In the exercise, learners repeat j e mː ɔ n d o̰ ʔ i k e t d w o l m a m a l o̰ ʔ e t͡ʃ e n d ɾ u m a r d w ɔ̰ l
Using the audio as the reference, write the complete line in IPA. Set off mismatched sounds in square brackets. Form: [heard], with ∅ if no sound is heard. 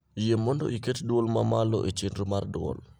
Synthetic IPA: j e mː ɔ n d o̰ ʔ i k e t d w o l m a m a l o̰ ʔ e t͡ʃ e n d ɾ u m a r d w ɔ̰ l